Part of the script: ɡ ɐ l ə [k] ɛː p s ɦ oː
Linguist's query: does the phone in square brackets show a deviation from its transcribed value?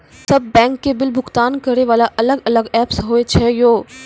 yes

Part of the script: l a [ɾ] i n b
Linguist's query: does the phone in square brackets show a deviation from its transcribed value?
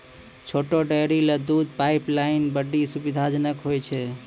yes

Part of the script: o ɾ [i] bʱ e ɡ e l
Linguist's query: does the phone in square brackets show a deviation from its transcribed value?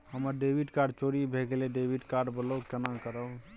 no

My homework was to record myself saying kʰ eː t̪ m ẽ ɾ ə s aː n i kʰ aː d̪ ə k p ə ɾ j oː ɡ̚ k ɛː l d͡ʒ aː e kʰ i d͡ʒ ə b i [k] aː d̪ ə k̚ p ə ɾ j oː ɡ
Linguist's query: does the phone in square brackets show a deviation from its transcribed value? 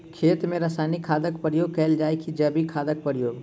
yes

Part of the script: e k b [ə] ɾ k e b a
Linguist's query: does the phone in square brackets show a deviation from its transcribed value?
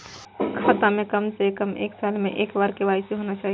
yes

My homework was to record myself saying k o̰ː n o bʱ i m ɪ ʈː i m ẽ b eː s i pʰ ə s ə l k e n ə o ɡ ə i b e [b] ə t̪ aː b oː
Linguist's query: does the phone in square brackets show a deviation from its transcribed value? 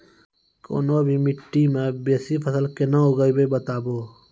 no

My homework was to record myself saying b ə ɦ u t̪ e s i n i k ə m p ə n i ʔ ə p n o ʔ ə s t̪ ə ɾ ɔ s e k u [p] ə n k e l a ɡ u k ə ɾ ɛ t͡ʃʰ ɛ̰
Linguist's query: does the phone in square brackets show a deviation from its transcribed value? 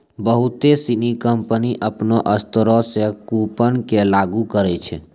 no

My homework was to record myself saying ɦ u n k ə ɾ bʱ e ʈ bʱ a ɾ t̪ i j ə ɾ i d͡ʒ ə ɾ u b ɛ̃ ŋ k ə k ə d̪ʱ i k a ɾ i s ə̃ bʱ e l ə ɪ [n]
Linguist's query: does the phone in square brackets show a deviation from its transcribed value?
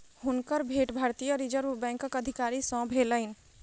no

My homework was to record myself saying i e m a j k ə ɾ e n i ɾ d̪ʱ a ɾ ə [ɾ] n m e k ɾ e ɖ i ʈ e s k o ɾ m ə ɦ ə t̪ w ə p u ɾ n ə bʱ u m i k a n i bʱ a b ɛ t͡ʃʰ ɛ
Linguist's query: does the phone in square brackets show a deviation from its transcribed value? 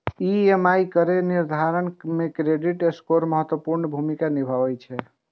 yes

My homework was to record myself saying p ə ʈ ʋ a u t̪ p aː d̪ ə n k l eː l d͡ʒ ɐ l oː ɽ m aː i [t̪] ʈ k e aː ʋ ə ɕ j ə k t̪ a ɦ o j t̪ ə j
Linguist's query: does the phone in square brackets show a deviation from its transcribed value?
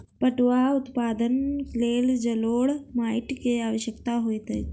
yes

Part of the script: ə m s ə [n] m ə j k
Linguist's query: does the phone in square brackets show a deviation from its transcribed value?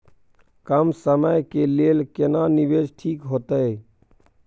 yes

